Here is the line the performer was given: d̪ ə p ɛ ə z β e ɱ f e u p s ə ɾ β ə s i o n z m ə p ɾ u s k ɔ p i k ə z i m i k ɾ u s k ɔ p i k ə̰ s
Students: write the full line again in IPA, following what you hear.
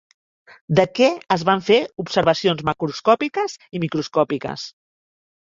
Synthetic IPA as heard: d̪ ə k ɛ ə z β a ɱ f e u p s ə ɾ β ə s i o n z m ə k ɾ u s k ɔ p i k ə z i m i k ɾ u s k ɔ p i k ə̰ s